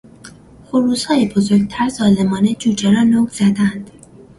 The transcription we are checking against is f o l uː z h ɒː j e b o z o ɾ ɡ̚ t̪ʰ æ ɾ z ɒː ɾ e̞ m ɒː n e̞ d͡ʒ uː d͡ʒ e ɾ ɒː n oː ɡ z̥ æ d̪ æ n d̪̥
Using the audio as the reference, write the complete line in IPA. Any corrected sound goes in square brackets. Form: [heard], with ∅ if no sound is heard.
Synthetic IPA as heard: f o [ɾ] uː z h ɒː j e b o z o ɾ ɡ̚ t̪ʰ æ ɾ z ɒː [l] e̞ m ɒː n e̞ d͡ʒ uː d͡ʒ e ɾ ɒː n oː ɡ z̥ æ d̪ æ n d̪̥